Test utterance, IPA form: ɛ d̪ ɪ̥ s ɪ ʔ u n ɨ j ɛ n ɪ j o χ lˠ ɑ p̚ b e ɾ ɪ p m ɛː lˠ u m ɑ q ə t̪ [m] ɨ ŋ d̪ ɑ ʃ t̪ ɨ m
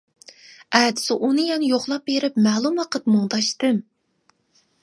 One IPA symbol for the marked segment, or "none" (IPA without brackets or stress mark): m